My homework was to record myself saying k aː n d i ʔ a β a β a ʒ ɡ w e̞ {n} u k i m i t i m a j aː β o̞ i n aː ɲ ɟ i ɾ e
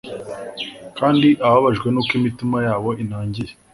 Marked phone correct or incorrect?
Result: correct